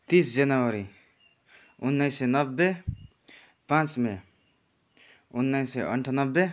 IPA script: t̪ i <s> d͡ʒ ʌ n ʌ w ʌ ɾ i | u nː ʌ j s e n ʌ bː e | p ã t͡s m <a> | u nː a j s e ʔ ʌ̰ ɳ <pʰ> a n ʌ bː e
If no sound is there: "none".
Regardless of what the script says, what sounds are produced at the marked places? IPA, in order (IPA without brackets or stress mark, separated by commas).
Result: s, e, ʈʰ